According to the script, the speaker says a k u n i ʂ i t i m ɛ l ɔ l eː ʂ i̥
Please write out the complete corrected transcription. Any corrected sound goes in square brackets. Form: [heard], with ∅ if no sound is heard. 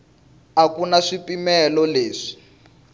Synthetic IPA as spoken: a k u n [a] ʂ i [p] i m ɛ l ɔ l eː ʂ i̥

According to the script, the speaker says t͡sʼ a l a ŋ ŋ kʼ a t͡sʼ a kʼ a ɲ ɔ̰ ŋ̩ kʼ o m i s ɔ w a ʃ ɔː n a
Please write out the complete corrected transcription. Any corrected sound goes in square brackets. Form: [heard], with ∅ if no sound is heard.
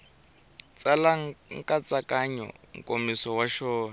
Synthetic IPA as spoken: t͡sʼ a l a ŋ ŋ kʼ a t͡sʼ a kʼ a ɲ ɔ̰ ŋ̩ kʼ o m i s ɔ w a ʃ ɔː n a

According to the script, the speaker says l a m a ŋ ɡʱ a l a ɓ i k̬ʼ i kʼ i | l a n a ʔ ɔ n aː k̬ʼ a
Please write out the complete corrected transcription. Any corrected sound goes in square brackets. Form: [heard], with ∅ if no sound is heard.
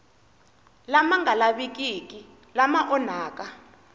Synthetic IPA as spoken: l a m a ŋ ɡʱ a l a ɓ i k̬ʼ i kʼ i | l a [m] a ʔ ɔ n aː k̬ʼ a

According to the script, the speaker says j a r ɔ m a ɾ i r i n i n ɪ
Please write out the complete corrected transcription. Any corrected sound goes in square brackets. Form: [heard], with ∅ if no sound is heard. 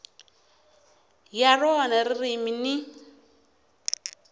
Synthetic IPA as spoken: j a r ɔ [n] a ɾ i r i [m] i n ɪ

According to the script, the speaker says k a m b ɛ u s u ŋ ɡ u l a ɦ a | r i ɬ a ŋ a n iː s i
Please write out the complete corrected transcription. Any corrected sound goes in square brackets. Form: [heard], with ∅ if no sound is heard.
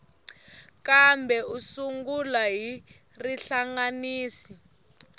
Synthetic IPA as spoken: k a m b ɛ u s u ŋ ɡ u l a ɦ [i] | r i ɬ a ŋ a n iː s i

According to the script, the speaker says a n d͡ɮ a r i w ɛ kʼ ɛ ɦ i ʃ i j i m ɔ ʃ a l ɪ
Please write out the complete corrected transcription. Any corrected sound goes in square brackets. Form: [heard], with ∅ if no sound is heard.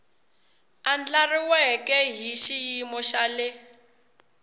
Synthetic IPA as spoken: a n d͡ɮ a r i w ɛ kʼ ɛ ɦ i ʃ i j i m ɔ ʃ a l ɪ

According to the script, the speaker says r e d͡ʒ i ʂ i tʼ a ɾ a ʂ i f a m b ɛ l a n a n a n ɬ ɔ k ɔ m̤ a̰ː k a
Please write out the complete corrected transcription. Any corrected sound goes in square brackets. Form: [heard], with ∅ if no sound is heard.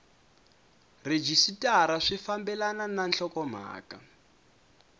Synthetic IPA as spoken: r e d͡ʒ i [s] i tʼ a ɾ a ʂ i f a m b ɛ l a n a n a n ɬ ɔ k ɔ m̤ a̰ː k a

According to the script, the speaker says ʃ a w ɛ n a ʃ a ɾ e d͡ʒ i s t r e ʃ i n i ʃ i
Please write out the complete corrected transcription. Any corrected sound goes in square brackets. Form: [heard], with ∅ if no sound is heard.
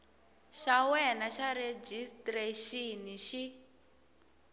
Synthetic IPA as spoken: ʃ a w ɛ n a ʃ a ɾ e d͡ʒ i s t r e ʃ i n i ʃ i

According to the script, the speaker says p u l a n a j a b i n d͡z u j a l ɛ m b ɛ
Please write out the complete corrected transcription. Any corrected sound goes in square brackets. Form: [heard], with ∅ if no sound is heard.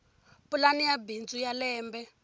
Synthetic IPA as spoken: p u l a n [i] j a b i n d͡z u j a l [ɛː] m b ɛ

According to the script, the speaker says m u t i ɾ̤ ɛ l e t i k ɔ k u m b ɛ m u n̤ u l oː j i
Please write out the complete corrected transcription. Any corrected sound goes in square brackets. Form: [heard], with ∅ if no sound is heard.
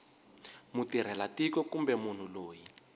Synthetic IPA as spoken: m u t i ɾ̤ ɛ l [a] t i k ɔ k u m b ɛ m u n̤ u l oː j i

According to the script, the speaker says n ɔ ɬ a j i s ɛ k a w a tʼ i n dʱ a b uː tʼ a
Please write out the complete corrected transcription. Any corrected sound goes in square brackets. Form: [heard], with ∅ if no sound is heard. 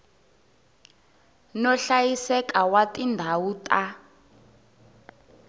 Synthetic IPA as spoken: n ɔ ɬ a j i s ɛ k a w a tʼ i n dʱ a [w] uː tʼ a

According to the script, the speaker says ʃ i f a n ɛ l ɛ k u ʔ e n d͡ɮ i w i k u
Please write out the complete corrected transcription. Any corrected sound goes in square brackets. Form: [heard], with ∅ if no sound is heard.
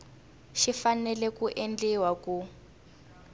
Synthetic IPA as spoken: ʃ i f a n ɛ l ɛ k u ʔ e n d͡ɮ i w [a] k u

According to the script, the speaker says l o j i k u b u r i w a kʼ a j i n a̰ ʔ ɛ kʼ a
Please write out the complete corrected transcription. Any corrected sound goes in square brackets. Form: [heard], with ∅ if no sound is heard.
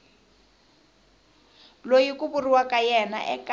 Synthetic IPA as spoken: l o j i k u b u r i w a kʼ a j [ɛ] n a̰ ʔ ɛ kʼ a

